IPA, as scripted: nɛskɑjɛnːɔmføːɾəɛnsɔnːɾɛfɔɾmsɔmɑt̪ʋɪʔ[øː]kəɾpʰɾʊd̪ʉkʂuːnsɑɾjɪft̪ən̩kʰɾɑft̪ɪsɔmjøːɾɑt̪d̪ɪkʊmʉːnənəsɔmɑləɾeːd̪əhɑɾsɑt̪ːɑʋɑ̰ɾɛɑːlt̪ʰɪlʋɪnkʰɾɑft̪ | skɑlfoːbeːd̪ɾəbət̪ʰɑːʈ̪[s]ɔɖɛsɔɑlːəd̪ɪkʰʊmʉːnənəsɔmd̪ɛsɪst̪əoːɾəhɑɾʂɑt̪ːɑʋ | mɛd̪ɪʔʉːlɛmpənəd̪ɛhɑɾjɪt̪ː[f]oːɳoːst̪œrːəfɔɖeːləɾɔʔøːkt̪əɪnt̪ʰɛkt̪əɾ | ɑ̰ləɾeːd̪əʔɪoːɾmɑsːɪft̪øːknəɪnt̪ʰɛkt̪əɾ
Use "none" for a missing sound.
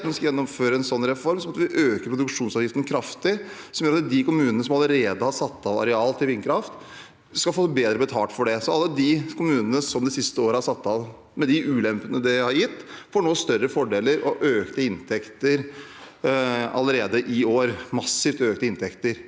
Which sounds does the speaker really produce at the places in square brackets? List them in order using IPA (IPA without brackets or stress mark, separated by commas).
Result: øː, f, f